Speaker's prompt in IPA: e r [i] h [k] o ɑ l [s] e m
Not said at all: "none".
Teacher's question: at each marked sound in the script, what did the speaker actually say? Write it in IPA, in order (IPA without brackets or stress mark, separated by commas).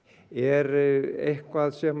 e, k, s